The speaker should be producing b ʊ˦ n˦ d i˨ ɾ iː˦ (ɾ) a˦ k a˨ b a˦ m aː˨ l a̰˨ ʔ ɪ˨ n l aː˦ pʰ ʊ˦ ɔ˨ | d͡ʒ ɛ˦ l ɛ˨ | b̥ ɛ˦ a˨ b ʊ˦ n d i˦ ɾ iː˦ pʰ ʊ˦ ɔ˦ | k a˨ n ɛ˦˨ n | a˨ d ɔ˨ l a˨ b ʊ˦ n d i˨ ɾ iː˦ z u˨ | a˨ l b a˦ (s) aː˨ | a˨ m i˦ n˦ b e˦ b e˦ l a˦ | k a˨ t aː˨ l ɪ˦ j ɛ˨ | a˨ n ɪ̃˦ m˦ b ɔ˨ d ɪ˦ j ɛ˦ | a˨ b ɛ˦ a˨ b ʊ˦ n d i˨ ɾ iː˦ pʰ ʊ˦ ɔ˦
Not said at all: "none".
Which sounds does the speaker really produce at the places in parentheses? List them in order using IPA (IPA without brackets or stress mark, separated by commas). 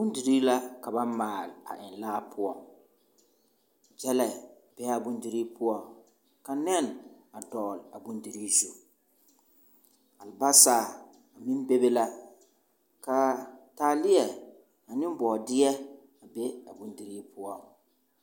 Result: l, s